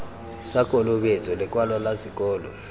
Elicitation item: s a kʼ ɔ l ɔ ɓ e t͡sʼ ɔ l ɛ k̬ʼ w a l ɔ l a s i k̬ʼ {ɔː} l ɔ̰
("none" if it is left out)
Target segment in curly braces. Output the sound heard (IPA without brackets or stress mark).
ɔː